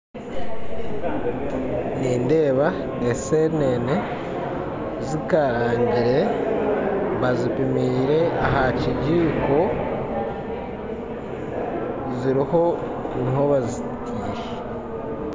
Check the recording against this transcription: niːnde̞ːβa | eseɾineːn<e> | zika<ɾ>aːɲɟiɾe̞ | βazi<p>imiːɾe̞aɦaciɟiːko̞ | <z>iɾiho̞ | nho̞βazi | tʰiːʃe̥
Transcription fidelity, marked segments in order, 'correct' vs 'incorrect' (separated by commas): correct, correct, correct, correct